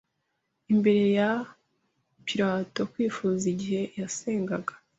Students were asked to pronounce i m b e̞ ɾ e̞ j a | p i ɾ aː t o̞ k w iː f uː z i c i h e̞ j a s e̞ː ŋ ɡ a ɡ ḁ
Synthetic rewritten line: i m b e̞ ɾ e̞ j a | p i ɾ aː t o̞ k w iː f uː z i ɟ i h e̞ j a s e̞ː ŋ ɡ a ɡ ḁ